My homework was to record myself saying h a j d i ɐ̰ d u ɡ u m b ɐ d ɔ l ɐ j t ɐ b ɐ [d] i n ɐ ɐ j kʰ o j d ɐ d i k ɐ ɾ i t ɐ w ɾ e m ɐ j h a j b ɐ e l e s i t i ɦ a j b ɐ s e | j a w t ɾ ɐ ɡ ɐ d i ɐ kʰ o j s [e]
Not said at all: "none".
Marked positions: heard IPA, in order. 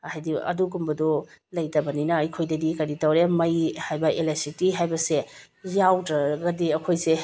n, e

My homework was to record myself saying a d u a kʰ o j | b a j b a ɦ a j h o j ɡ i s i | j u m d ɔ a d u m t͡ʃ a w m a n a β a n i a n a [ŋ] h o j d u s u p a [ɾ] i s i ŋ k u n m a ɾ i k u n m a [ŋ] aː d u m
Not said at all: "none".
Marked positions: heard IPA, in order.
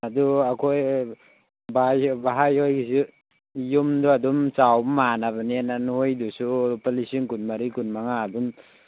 n, l, ŋ

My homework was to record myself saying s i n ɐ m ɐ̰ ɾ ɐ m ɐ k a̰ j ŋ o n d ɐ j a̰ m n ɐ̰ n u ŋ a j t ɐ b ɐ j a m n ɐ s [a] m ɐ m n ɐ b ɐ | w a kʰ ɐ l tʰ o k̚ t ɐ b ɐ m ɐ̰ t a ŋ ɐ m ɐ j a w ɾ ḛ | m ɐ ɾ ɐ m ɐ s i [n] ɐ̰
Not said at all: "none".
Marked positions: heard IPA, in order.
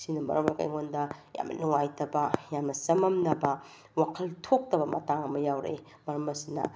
ɐ, n

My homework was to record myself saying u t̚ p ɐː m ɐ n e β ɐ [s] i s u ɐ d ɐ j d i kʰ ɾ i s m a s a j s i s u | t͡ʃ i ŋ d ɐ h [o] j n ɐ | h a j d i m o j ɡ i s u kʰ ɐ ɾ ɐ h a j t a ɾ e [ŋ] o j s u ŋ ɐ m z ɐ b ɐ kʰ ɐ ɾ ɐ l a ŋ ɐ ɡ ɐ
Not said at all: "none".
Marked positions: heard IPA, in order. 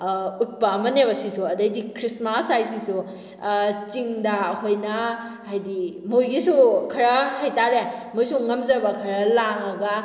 s, o, m

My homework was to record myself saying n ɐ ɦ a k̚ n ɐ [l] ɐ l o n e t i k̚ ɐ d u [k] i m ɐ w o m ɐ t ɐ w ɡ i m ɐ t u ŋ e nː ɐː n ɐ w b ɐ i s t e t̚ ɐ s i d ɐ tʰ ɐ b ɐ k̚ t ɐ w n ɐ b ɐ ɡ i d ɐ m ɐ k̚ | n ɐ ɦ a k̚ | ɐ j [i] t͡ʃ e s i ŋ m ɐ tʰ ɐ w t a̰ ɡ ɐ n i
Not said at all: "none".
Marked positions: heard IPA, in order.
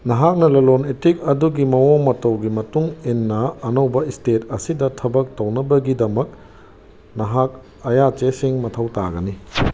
l, ɡ, a

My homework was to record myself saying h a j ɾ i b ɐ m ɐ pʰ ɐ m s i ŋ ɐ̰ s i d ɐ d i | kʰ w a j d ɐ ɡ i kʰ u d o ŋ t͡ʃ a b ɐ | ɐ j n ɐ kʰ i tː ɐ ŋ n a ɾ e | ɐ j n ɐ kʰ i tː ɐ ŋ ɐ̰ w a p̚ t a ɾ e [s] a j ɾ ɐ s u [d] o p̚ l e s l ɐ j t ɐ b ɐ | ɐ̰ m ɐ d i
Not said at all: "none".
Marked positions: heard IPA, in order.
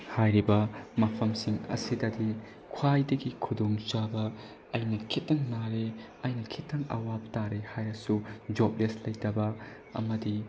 h, d͡ʒ

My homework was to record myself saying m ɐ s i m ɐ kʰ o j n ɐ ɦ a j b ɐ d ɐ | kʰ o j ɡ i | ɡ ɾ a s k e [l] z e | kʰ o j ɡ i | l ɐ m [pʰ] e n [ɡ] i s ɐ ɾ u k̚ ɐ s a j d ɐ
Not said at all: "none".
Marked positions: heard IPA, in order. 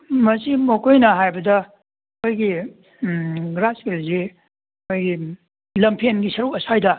l, pʰ, ɡ

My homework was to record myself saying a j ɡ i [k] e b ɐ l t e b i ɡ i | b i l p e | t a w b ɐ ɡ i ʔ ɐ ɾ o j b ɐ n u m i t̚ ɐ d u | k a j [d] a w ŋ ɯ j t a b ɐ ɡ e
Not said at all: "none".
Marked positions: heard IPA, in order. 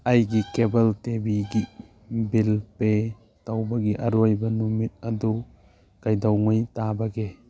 k, d

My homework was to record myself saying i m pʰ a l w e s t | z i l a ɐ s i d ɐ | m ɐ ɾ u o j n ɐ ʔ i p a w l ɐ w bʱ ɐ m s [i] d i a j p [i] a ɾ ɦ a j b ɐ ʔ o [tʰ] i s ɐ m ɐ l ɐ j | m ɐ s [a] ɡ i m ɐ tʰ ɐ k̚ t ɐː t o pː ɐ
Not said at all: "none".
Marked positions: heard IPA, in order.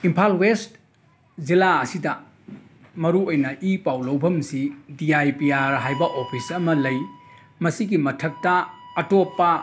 i, i, pʰ, i

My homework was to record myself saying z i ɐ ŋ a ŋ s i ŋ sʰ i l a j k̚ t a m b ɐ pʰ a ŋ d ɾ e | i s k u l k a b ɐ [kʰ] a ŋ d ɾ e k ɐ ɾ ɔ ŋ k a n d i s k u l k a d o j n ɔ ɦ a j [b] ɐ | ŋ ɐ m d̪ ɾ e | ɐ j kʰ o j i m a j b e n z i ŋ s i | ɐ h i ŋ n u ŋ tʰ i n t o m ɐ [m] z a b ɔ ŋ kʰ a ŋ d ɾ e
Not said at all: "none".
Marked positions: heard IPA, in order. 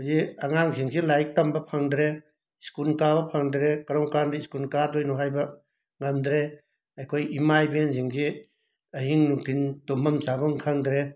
pʰ, b, m

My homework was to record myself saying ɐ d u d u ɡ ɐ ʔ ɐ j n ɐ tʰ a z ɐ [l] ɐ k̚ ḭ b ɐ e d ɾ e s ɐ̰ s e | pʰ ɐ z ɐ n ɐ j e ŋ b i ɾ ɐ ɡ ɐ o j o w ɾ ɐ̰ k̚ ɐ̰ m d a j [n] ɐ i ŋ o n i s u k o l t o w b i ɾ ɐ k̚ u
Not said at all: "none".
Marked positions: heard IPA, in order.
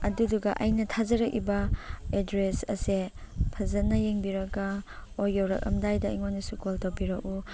ɾ, d

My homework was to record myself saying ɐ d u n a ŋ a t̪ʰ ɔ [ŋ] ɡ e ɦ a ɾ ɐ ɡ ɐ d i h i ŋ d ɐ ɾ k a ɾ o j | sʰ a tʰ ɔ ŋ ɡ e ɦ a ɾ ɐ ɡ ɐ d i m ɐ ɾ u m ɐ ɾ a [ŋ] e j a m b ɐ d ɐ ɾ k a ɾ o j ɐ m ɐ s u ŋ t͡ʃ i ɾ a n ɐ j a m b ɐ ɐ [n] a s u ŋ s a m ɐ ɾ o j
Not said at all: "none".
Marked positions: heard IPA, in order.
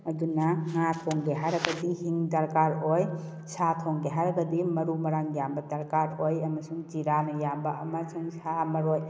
ŋ, ŋ, m

